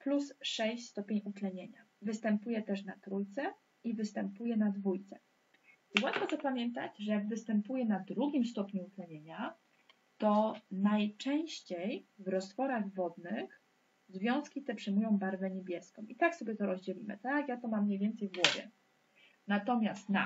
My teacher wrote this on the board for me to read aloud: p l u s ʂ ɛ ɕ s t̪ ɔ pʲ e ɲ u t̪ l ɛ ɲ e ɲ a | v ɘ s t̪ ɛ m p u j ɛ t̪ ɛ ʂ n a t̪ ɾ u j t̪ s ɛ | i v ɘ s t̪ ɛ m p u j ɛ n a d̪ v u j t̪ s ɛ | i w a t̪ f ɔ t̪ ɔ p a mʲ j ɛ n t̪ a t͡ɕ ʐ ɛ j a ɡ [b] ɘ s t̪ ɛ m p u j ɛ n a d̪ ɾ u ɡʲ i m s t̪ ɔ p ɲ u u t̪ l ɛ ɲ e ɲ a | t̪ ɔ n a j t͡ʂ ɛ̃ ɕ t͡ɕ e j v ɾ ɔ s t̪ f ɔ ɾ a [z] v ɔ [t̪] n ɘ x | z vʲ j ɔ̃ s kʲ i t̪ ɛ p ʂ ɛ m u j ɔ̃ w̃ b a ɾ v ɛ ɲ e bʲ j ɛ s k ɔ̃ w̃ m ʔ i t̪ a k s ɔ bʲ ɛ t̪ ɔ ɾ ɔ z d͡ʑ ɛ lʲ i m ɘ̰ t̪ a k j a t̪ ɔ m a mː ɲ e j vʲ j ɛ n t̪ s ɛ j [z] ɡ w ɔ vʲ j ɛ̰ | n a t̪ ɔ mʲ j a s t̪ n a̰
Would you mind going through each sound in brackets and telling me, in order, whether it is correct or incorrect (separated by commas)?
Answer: incorrect, incorrect, incorrect, incorrect